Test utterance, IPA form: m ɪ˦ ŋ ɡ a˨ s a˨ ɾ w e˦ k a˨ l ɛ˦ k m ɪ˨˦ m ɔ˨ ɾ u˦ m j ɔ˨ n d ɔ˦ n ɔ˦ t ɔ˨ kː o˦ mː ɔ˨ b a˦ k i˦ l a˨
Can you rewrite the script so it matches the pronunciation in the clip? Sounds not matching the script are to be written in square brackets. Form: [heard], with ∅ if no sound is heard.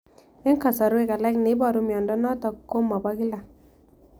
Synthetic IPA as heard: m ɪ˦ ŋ [k] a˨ s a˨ ɾ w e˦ k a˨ l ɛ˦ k [n] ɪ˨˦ [b] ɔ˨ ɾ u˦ m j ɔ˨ n d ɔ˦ n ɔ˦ t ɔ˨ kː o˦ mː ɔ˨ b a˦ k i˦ l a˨